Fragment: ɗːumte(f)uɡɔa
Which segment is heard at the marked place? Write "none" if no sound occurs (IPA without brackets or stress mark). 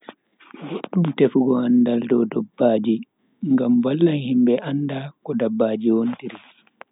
f